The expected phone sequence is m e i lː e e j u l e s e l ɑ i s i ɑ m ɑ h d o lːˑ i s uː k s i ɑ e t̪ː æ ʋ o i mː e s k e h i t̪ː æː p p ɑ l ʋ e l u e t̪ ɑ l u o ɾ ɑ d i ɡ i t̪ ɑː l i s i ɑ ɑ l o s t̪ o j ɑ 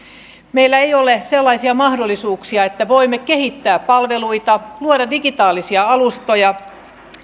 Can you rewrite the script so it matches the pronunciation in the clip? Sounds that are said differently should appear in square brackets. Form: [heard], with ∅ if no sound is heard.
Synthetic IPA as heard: m e i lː [æ] e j [o] l e s e [lː] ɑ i s i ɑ m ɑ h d o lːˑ i s uː k s i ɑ e t̪ː æ ʋ o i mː e [∅] k e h i t̪ː æː p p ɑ l ʋ e l u [i] t̪ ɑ l u o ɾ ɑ d i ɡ i t̪ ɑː l i s i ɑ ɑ l [u] s t̪ o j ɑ